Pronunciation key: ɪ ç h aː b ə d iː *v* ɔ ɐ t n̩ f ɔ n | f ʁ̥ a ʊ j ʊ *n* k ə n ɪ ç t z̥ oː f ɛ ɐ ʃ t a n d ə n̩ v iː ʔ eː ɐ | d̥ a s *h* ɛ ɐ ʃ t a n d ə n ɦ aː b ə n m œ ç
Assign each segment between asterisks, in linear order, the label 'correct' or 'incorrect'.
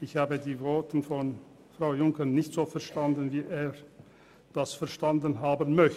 correct, incorrect, incorrect

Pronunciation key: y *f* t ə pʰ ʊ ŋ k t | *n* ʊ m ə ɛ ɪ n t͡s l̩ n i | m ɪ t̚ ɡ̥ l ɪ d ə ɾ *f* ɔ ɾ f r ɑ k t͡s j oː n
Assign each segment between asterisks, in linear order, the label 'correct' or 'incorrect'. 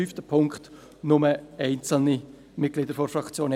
correct, correct, correct

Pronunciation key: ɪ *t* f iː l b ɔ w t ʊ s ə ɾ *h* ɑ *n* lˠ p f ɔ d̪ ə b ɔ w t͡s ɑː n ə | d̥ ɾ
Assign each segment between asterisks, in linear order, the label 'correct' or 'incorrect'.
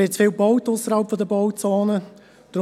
incorrect, correct, incorrect

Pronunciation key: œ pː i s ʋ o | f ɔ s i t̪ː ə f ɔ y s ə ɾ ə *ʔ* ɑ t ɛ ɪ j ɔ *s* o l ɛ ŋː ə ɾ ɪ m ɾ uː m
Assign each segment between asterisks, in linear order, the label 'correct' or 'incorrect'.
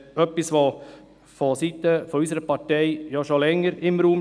incorrect, incorrect

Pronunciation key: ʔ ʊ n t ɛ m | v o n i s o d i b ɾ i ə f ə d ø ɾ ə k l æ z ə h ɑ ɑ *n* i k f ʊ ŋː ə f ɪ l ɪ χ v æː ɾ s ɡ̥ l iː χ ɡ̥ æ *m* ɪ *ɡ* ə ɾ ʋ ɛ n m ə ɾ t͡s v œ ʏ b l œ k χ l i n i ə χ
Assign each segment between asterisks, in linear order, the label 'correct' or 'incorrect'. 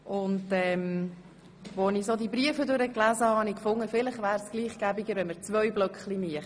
correct, incorrect, correct

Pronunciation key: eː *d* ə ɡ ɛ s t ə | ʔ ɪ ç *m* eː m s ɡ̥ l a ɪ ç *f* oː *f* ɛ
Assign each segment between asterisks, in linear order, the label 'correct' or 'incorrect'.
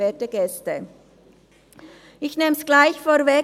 incorrect, incorrect, correct, incorrect

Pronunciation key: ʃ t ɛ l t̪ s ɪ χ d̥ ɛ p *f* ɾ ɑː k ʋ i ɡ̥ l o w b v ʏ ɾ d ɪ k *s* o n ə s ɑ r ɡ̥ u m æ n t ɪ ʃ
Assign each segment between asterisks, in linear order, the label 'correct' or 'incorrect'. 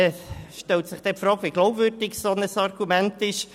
correct, correct

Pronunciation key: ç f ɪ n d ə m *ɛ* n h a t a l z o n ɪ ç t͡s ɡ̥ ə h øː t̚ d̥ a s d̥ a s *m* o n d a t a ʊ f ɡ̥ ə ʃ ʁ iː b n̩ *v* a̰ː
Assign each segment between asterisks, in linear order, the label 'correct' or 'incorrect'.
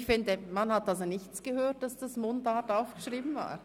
incorrect, correct, correct

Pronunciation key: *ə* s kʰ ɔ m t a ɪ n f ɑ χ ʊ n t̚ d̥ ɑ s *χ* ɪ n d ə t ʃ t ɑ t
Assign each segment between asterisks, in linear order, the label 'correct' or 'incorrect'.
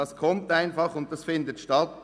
incorrect, incorrect

